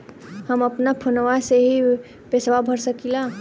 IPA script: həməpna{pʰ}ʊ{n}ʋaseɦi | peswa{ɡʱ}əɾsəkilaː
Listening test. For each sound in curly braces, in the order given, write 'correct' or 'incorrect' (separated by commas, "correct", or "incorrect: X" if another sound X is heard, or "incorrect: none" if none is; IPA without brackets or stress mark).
correct, correct, incorrect: bʱ